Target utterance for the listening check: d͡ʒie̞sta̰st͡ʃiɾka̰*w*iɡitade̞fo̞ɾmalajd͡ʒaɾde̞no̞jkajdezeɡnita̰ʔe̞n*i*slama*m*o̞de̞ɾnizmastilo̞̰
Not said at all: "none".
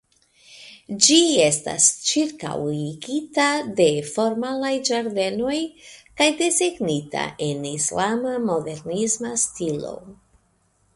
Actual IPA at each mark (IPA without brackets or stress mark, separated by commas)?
w, i, m